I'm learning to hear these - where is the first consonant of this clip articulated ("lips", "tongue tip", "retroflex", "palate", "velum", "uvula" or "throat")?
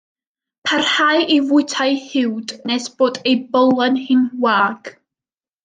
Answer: lips